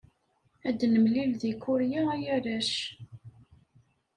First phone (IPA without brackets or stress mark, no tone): æ